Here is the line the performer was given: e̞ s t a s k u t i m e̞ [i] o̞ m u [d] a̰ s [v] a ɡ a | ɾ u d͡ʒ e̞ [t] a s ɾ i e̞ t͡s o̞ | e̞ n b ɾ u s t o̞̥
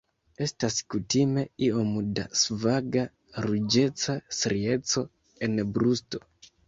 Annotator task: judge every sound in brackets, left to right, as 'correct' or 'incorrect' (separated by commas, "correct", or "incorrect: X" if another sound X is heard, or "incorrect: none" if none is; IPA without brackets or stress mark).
correct, correct, correct, incorrect: t͡s